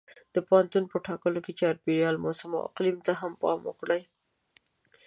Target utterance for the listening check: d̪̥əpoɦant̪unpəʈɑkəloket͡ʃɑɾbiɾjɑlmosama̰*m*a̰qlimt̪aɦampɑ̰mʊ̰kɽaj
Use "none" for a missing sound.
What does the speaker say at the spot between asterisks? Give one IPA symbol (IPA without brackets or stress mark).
none